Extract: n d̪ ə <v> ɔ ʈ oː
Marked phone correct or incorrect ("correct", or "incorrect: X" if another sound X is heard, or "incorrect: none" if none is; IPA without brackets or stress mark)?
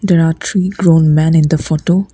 incorrect: f